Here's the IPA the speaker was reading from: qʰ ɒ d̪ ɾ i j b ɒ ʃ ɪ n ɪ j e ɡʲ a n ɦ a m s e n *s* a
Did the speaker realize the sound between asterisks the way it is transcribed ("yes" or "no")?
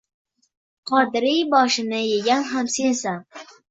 yes